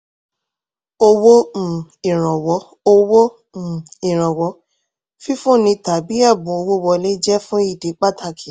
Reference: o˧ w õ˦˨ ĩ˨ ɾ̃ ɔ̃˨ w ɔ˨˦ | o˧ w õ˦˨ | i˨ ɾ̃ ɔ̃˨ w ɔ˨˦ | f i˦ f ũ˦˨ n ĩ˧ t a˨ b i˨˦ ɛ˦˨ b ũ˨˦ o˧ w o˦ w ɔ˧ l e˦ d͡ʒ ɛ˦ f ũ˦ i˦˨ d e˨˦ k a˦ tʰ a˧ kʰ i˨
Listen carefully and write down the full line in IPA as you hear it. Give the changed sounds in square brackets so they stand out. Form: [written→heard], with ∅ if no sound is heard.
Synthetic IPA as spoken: o˧ w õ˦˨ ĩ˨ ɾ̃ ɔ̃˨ w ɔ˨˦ | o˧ w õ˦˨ | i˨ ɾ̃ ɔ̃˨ w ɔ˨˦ | f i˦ f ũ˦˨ n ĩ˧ t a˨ b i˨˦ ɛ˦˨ b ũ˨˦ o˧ w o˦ w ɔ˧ l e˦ d͡ʒ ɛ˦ f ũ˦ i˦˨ d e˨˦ [k→k͡p] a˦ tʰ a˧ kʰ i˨

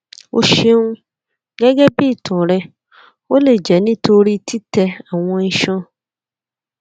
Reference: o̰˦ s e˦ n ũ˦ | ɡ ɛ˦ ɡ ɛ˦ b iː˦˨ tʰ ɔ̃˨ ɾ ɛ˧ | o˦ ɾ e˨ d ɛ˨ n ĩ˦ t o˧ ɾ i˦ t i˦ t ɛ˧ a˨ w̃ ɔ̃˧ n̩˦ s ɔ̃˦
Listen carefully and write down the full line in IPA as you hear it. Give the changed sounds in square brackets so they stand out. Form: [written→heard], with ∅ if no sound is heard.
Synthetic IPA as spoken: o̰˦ [s→ʃ] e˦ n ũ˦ | ɡ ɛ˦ ɡ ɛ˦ b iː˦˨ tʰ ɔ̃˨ ɾ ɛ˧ | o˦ [ɾ→l] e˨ [d→d͡ʒ] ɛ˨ n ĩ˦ t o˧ ɾ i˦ t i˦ t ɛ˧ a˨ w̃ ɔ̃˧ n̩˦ [s→ʃ] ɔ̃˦

